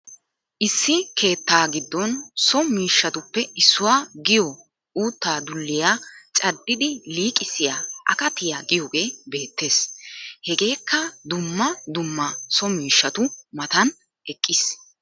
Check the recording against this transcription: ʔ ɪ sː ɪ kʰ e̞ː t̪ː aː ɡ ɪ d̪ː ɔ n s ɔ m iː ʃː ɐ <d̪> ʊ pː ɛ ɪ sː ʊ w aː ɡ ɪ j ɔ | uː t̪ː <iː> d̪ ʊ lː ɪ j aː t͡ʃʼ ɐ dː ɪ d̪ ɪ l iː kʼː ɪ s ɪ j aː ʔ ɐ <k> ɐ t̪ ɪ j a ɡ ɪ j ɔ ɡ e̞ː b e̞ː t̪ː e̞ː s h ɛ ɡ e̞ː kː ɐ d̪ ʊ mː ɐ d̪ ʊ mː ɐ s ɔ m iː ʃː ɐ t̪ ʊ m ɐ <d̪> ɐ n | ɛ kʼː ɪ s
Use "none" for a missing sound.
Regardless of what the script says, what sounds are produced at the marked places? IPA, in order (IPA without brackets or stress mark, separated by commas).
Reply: t̪, aː, k, t̪